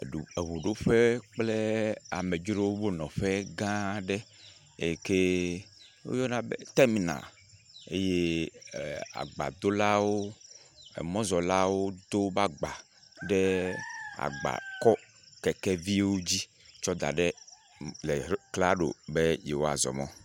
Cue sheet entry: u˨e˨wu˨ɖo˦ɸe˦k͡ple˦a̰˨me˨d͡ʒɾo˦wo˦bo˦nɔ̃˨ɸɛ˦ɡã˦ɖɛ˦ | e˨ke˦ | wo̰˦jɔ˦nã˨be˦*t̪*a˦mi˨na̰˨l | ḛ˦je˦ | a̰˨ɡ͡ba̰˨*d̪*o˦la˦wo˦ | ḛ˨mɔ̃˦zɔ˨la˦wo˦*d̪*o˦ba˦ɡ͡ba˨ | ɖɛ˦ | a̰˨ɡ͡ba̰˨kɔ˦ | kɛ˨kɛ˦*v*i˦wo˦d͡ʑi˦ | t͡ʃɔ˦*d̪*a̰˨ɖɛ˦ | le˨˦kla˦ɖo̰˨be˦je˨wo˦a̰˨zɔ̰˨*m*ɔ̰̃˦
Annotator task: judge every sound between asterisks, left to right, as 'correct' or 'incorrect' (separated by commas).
correct, correct, correct, correct, correct, correct